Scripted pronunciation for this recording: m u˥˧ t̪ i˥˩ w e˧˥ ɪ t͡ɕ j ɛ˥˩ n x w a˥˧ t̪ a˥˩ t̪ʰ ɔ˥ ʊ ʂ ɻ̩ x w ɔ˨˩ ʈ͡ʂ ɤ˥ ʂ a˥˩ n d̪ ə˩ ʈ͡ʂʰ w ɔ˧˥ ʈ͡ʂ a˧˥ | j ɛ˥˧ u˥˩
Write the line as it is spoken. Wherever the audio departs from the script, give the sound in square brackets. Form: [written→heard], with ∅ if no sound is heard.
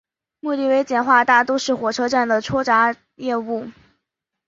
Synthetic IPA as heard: m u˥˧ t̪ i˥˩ w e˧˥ ɪ t͡ɕ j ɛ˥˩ n x w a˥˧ t̪ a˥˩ [t̪ʰ→t̪] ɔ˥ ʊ ʂ ɻ̩ x w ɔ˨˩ [ʈ͡ʂ→ʈ͡ʂʰ] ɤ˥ [ʂ→ʈ͡ʂ] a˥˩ n d̪ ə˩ ʈ͡ʂʰ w [ɔ˧˥→ɔ˥] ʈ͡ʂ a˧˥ | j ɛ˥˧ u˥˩